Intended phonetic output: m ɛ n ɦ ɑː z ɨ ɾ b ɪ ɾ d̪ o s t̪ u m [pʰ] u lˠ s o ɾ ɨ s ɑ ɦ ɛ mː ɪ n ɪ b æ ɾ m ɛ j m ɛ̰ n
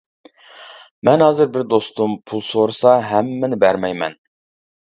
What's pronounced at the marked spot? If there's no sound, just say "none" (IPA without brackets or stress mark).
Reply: pʰ